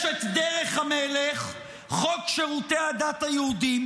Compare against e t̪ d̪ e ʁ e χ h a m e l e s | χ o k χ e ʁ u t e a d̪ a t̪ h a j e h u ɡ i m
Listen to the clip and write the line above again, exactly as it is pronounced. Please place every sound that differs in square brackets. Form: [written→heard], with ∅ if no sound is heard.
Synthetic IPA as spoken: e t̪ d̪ e ʁ e χ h a m e l e [s→χ] | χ o k [χ→ʃ] e ʁ u t e a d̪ a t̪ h a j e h u [ɡ→d] i m